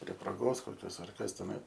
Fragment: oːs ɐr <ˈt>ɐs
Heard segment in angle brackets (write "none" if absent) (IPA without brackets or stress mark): k